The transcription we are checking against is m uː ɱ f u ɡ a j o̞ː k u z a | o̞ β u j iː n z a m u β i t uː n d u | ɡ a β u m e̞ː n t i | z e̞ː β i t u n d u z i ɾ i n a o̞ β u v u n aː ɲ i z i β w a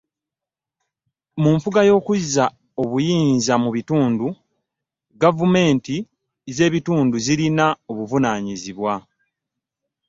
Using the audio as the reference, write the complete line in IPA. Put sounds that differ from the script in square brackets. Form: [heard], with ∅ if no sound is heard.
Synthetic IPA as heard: m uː ɱ f u ɡ a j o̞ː k u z a | o̞ β u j iː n z a m u β i t uː n d u | ɡ a [v] u m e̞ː n t i | z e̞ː β i t [uː] n d u z i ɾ i n a o̞ β u v u n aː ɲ i z i β w a